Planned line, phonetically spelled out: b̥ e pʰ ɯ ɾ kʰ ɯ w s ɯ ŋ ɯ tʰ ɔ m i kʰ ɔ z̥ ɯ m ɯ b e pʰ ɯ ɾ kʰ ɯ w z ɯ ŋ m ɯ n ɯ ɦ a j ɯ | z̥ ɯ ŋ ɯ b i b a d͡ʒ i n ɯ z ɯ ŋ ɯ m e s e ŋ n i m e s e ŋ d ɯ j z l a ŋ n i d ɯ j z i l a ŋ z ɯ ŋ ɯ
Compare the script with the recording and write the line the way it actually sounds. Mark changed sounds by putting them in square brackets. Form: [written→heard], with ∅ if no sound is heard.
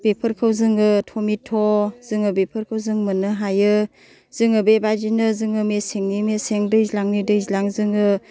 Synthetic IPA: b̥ e pʰ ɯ ɾ kʰ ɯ w [s→z] ɯ ŋ ɯ tʰ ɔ m i [kʰ→tʰ] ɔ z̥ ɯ [m→ŋ] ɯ b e pʰ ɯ ɾ kʰ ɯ w z ɯ ŋ m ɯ n ɯ ɦ a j ɯ | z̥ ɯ ŋ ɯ b [i→e] b a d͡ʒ i n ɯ z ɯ ŋ ɯ m e s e ŋ n i m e s e ŋ d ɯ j z l a ŋ n i d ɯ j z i l a ŋ z ɯ ŋ ɯ